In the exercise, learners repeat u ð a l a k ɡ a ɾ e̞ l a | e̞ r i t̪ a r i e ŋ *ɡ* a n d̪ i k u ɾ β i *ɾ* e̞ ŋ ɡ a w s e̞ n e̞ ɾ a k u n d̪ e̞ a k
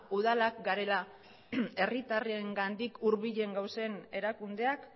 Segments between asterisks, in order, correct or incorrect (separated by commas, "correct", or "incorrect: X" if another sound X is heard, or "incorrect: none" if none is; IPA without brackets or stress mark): correct, incorrect: ʎ